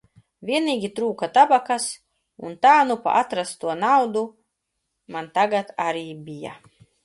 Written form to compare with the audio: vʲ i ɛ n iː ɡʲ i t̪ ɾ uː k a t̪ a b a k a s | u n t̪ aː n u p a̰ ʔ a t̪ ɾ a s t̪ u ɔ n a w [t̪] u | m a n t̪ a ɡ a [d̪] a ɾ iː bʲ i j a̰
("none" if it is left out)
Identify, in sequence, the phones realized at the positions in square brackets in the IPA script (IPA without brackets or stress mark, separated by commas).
d̪, t̪